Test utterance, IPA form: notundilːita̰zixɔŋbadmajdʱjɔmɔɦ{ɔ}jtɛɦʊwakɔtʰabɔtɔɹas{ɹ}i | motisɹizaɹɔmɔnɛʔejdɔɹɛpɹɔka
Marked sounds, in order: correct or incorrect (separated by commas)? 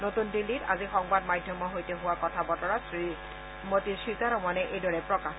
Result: incorrect, correct